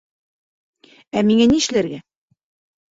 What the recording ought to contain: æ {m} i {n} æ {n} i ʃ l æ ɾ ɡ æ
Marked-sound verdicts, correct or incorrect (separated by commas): correct, incorrect, correct